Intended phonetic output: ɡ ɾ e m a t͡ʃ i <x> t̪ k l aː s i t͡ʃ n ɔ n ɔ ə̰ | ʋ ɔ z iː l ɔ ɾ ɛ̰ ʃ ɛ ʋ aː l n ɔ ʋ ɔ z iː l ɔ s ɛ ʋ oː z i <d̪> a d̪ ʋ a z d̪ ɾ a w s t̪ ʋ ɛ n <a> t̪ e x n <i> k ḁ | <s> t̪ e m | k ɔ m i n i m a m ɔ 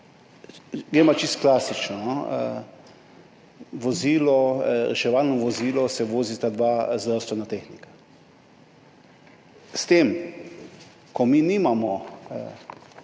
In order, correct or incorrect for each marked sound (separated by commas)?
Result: incorrect, incorrect, correct, correct, correct